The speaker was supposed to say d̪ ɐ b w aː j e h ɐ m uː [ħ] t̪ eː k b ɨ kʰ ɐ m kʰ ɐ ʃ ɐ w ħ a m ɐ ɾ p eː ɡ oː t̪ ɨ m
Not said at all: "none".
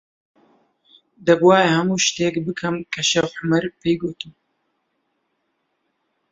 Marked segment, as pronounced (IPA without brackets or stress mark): ʃ